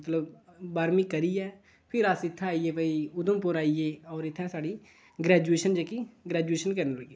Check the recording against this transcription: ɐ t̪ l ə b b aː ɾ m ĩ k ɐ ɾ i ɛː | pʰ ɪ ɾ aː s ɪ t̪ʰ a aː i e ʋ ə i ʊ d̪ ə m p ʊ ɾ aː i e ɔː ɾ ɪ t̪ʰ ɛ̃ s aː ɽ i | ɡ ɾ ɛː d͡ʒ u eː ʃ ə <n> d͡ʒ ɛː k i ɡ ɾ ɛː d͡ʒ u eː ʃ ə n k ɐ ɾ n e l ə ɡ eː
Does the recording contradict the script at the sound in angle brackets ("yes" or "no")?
no